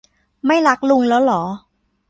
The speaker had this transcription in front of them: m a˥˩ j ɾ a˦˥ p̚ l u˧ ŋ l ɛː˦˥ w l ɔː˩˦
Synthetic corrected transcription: m a˥˩ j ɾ a˦˥ k̚ l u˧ ŋ l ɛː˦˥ w l ɔː˩˦